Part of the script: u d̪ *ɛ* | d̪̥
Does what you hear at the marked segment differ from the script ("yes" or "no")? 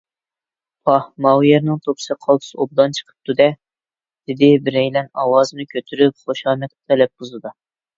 no